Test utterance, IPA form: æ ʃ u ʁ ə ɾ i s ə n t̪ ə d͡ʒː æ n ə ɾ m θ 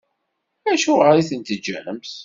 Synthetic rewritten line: æ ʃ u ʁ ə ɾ i θ ə n t̪ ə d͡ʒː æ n ə m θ